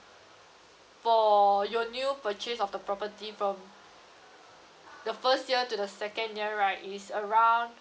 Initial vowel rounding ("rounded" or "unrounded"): rounded